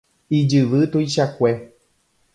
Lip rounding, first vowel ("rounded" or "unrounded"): unrounded